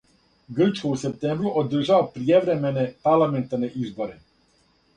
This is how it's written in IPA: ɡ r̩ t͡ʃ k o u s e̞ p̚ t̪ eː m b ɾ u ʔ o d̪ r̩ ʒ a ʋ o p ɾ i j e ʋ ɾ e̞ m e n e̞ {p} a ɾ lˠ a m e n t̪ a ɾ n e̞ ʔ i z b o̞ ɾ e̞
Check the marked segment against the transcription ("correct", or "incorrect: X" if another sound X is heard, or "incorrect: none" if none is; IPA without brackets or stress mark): correct